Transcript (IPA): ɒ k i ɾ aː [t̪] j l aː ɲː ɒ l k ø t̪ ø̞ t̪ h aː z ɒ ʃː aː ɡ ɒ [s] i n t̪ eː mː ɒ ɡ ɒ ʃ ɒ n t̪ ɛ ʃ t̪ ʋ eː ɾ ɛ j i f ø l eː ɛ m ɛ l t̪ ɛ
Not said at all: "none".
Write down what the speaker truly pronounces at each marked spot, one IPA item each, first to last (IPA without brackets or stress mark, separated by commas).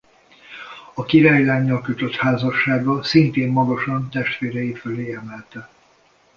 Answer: none, s